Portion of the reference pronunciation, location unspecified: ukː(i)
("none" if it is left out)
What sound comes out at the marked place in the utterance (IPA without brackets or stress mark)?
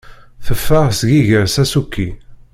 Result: i